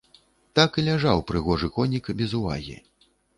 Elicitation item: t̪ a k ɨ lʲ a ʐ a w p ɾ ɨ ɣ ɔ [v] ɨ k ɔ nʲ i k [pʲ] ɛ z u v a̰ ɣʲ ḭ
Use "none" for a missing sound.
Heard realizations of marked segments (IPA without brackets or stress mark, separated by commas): ʐ, bʲ